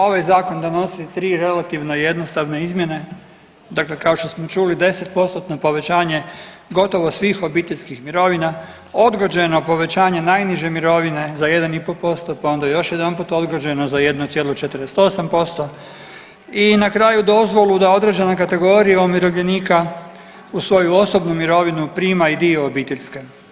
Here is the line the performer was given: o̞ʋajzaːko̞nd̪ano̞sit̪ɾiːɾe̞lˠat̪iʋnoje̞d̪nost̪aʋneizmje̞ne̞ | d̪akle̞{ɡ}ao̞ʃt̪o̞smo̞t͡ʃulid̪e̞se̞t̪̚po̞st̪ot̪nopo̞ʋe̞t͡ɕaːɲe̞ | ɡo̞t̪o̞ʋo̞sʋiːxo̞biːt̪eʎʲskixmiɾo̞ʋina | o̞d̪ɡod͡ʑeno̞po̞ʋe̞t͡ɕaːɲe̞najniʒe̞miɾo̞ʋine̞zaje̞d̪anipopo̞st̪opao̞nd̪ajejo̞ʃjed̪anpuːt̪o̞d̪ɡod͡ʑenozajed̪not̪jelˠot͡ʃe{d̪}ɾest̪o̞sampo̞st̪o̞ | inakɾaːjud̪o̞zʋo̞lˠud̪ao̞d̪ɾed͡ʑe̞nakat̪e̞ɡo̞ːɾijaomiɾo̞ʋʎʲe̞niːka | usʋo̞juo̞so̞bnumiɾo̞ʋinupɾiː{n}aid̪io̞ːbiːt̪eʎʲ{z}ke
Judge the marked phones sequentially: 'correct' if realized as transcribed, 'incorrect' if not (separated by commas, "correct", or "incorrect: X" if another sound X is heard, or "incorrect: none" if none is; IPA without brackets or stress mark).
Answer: incorrect: k, incorrect: t̪, incorrect: m, incorrect: s